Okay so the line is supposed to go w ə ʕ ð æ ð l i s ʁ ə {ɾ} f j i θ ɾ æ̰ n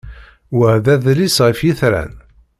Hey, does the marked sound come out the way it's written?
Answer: no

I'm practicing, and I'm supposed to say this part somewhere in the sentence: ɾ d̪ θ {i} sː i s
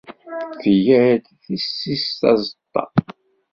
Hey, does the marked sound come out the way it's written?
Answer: yes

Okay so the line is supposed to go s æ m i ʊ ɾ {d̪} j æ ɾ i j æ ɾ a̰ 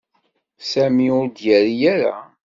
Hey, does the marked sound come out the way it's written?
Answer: yes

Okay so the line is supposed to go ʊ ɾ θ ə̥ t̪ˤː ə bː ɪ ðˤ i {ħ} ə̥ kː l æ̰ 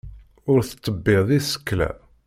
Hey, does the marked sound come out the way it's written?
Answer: no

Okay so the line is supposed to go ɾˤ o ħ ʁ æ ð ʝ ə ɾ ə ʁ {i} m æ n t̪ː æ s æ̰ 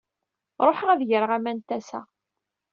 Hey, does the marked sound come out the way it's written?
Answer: no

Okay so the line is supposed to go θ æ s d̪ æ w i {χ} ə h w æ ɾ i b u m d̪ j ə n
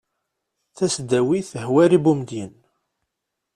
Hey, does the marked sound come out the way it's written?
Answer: no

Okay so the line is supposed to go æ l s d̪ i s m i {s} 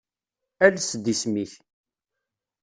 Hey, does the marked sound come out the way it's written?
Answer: no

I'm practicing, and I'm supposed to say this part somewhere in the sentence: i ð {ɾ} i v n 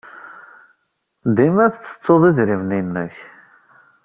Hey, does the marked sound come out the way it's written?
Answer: yes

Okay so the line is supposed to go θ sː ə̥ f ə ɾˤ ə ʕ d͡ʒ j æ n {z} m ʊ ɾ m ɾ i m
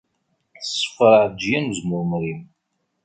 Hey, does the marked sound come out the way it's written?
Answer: yes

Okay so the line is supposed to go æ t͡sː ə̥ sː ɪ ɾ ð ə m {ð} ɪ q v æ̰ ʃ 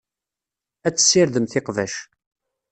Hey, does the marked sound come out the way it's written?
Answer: no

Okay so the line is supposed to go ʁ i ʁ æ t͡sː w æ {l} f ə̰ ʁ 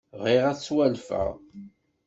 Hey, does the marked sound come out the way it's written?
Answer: yes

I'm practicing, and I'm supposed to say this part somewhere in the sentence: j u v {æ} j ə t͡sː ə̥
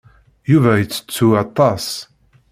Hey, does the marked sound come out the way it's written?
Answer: yes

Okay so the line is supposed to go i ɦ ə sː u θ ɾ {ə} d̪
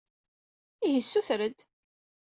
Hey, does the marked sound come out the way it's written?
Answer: yes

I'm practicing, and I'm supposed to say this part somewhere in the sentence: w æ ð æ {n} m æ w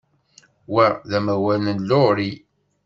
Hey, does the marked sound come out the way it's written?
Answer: no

